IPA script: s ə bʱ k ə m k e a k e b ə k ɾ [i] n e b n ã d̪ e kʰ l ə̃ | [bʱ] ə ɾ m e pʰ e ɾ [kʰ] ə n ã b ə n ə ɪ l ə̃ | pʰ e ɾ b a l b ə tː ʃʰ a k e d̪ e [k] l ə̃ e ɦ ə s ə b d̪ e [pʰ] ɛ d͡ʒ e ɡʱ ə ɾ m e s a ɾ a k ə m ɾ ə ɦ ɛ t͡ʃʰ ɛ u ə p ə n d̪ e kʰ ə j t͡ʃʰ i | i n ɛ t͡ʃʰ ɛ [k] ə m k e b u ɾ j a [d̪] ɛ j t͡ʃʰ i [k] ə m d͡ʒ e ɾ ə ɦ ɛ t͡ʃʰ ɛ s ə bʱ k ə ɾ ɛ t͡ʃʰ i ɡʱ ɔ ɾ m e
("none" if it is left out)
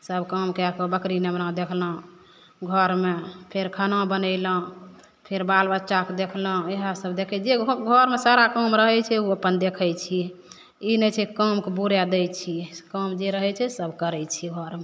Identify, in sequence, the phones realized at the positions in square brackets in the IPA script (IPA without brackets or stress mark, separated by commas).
i, ɡʱ, kʰ, kʰ, kʰ, k, d̪, k